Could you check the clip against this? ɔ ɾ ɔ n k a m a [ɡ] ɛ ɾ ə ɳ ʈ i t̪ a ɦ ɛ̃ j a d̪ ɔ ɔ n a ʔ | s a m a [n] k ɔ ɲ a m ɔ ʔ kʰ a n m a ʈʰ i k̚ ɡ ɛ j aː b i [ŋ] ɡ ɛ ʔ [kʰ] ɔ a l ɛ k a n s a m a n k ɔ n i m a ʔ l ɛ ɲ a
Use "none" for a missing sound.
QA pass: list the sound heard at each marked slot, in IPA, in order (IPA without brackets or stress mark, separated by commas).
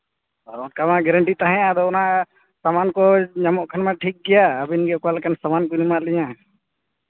ɡ, n, n, k